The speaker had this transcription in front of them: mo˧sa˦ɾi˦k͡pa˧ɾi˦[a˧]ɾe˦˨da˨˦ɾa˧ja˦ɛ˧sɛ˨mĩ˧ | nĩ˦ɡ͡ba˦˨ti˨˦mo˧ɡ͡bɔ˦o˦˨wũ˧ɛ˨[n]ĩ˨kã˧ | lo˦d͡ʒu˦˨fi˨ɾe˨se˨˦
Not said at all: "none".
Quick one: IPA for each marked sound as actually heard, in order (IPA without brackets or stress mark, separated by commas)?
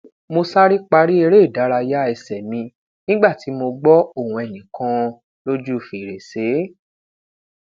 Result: e˧, n